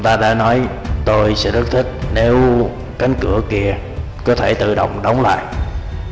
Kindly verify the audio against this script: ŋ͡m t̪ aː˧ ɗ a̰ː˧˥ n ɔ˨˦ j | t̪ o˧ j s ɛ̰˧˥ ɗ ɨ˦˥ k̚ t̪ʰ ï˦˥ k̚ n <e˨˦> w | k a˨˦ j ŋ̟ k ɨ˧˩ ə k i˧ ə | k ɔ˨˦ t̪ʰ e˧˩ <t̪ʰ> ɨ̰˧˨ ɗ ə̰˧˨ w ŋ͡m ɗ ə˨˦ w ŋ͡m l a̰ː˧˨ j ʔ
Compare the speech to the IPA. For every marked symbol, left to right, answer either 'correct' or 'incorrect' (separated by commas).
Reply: correct, incorrect